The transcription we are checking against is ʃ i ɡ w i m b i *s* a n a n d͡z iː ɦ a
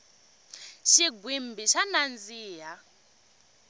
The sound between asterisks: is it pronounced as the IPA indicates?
no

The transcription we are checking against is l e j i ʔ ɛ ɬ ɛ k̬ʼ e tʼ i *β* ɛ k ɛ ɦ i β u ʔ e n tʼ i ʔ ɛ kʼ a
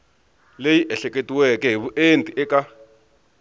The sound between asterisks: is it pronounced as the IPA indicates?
no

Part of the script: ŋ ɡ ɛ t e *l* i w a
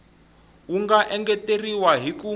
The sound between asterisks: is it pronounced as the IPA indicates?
no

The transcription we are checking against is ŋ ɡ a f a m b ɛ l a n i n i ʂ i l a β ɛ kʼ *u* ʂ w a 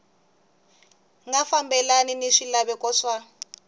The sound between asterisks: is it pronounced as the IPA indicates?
no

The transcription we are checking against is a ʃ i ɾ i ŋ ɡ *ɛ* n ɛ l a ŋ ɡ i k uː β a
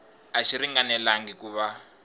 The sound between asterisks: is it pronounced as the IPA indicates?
no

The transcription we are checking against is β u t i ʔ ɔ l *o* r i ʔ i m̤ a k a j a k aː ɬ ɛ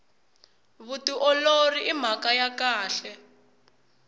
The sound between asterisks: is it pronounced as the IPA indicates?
yes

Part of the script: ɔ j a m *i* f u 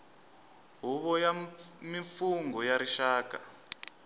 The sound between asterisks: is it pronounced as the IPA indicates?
yes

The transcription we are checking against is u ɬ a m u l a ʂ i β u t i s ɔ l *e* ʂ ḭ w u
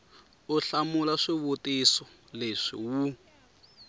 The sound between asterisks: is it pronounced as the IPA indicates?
yes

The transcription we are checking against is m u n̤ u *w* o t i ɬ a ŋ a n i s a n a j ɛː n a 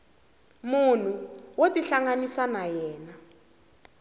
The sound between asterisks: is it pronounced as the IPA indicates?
yes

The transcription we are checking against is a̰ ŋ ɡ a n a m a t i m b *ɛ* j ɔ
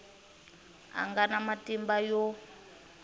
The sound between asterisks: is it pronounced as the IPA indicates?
no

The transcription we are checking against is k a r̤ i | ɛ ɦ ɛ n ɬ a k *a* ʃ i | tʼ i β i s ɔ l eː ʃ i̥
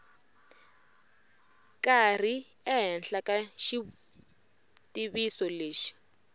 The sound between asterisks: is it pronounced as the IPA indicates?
yes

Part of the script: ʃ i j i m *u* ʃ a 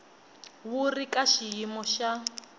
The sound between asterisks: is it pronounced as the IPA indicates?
no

